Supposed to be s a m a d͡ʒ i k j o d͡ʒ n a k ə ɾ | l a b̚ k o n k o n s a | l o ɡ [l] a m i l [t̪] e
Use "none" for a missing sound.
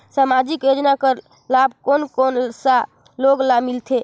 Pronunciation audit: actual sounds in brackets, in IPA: l, t̪ʰ

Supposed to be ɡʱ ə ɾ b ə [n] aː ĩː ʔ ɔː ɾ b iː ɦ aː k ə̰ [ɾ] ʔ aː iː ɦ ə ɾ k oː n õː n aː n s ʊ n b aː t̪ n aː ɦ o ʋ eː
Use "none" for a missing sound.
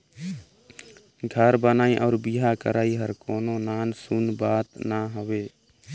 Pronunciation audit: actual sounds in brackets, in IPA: n, ɾ

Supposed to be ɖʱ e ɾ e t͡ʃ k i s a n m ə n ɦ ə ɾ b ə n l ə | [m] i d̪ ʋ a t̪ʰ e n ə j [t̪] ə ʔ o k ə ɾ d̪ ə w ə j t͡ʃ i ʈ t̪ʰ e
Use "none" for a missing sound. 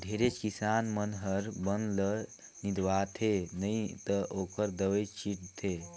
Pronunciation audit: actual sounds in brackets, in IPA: n, t̪

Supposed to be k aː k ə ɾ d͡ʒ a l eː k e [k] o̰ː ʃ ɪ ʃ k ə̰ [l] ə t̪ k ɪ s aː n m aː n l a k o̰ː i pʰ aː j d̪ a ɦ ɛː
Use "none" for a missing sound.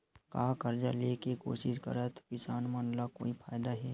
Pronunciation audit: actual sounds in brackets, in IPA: k, ɾ

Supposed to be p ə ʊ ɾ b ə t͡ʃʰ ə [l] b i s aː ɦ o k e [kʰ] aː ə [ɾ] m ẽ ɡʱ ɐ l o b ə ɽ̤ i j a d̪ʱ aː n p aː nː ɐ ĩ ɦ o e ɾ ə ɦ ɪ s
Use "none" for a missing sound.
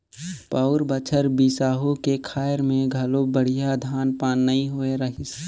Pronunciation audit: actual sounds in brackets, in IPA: ɾ, kʰ, ɾ

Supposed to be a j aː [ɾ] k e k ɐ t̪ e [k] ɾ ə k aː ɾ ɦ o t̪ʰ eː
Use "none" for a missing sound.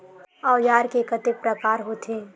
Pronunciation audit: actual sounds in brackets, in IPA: ɾ, p

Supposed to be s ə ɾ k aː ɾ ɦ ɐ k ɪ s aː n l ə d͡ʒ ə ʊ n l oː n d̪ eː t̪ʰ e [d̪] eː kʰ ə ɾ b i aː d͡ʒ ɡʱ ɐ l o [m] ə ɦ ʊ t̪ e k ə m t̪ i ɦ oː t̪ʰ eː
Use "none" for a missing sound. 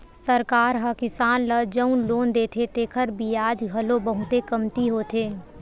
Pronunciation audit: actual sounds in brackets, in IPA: t̪, b

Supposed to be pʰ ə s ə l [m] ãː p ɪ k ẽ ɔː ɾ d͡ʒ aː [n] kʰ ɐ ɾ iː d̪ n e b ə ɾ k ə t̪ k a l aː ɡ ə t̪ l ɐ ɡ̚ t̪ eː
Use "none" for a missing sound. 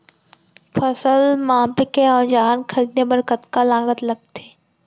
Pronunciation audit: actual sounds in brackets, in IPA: m, n

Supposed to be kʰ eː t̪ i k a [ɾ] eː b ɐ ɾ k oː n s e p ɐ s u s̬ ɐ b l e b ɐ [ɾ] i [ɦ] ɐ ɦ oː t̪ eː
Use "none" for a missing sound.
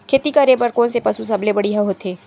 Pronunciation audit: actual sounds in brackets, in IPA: ɾ, ɽ, ɦ

